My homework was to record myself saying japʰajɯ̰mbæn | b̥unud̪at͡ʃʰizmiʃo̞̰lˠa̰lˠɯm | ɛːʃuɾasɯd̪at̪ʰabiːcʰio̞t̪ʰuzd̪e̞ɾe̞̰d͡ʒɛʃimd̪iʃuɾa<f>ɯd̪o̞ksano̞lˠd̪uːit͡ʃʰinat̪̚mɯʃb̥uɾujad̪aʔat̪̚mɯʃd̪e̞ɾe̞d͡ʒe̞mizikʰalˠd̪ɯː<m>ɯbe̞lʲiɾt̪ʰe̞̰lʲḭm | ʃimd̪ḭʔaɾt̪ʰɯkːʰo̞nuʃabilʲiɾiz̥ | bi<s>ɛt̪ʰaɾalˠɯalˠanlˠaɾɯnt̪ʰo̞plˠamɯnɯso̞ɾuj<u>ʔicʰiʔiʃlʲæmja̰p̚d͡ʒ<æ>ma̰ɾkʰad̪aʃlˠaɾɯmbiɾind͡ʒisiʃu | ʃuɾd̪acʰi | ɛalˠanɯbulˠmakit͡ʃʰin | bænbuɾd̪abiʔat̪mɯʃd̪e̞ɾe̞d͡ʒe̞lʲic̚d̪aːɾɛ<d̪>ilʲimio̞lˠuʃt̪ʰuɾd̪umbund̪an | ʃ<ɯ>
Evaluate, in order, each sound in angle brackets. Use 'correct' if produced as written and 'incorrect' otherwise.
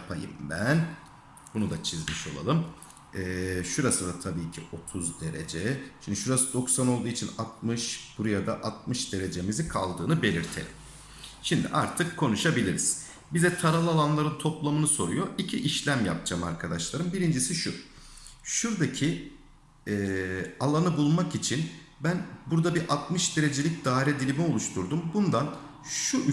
incorrect: s, incorrect: n, incorrect: z, incorrect: o, incorrect: a, correct, incorrect: u

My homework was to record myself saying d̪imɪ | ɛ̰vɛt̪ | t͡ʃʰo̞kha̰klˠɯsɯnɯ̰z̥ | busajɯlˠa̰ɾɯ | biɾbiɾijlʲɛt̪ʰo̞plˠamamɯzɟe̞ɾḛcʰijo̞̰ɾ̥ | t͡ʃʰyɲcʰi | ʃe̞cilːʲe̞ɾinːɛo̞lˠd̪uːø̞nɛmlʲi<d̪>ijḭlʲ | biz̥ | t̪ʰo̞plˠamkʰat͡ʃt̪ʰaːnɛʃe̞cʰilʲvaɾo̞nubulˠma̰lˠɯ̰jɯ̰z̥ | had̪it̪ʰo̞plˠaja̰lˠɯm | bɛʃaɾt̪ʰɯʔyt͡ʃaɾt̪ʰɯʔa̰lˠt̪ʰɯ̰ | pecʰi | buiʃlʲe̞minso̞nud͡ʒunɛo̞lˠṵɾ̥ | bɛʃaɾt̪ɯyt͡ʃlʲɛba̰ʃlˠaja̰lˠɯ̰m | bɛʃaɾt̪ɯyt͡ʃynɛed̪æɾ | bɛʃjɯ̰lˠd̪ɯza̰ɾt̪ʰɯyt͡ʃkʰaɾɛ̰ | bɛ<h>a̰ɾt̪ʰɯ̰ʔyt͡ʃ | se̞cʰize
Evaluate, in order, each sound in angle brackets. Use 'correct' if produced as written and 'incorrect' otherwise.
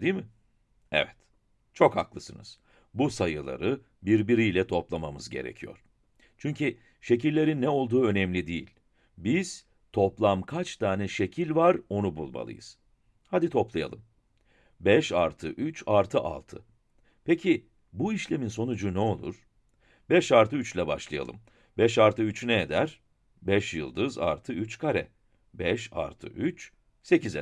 correct, incorrect: ʃ

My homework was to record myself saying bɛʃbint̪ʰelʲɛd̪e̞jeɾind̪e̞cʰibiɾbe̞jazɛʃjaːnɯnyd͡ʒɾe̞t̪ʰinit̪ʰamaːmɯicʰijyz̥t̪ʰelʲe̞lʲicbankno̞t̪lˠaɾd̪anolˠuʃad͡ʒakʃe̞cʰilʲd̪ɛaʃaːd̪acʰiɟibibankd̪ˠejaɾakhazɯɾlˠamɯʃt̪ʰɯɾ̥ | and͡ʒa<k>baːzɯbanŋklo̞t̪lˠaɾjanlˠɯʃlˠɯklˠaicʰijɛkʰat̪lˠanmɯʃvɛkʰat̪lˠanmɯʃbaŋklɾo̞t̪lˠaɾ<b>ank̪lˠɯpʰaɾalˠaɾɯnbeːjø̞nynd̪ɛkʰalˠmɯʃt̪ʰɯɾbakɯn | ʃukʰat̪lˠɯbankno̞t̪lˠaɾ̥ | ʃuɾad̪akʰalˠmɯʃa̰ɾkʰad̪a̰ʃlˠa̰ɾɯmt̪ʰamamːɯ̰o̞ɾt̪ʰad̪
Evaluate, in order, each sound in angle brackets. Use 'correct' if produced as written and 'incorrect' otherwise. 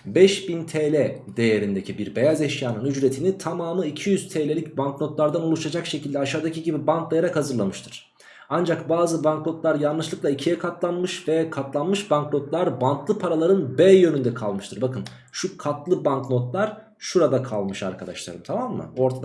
correct, correct

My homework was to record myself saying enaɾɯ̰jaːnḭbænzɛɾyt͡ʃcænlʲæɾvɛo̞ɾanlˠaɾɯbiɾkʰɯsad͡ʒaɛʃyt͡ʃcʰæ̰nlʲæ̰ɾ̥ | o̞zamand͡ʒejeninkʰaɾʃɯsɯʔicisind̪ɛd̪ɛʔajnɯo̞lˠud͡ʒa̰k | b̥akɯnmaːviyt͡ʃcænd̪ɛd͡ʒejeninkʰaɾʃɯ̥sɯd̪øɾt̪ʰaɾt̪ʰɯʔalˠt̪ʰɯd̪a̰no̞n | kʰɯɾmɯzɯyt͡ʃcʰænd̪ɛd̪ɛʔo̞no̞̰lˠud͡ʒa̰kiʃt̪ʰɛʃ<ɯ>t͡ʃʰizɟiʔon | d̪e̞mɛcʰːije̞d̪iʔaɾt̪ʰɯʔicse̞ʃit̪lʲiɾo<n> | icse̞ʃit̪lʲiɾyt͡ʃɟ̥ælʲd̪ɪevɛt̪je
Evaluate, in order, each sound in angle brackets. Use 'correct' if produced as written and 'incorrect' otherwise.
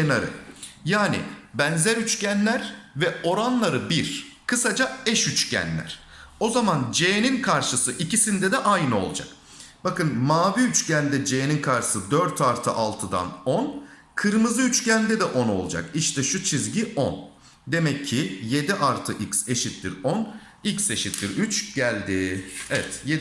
incorrect: u, correct

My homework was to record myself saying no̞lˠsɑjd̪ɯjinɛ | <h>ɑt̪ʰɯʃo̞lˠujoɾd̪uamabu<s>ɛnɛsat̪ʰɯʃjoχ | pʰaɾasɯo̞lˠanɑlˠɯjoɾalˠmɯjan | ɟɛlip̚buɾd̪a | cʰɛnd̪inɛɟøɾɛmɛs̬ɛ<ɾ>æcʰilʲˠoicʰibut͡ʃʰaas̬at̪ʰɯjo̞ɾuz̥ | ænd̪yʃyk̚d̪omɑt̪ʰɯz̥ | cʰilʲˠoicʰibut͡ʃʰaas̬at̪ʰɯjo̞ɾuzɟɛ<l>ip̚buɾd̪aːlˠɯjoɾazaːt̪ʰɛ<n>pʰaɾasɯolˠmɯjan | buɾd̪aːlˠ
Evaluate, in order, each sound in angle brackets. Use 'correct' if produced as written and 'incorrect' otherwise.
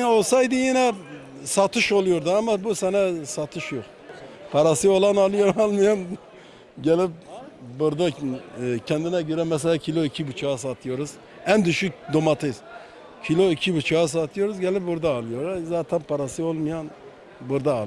incorrect: s, correct, incorrect: l, correct, correct

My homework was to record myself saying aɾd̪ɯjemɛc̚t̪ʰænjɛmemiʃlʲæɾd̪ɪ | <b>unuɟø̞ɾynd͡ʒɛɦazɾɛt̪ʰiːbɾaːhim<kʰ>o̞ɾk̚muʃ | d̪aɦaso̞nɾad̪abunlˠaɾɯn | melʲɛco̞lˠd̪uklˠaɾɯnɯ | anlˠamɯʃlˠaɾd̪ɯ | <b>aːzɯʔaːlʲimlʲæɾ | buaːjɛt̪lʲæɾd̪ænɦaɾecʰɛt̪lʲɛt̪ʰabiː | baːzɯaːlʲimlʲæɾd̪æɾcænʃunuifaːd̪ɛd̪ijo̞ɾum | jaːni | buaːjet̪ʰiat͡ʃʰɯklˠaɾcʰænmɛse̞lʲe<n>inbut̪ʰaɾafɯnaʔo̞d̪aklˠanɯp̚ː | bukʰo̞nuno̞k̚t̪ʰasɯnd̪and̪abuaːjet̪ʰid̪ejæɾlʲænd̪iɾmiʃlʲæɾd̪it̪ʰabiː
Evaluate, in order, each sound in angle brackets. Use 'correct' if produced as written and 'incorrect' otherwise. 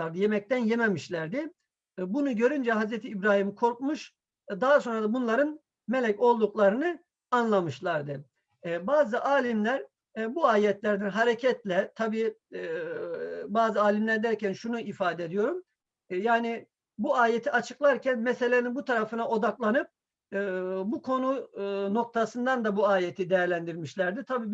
correct, correct, correct, correct

